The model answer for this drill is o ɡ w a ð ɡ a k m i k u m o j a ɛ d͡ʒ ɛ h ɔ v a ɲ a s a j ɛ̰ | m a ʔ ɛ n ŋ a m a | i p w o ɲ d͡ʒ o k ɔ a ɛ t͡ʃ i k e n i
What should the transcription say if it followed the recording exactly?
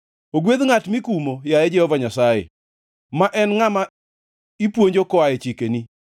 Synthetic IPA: o ɡ w e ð ŋ a t m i k u m o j a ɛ d͡ʒ ɛ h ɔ v a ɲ a s a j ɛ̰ | m a ʔ ɛ n ŋ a m a | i p w o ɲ d͡ʒ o k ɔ a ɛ t͡ʃ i k e n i